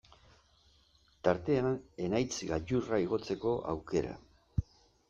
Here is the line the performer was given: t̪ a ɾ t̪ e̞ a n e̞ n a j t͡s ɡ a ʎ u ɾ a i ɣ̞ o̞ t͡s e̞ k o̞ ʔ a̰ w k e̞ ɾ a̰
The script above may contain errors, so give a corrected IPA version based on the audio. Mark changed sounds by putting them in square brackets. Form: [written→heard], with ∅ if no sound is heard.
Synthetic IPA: t̪ a ɾ t̪ e̞ a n e̞ n a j t͡s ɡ a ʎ u [ɾ→r] a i ɣ̞ o̞ t͡s e̞ k o̞ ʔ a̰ w k e̞ ɾ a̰